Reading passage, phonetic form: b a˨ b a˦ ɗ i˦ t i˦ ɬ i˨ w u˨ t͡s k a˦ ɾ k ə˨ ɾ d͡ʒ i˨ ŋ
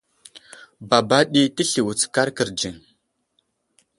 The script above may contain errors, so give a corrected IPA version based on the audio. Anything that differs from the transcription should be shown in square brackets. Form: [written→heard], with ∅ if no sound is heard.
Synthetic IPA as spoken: b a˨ b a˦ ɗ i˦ t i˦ ɬ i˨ w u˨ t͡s k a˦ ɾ k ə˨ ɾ d͡ʒ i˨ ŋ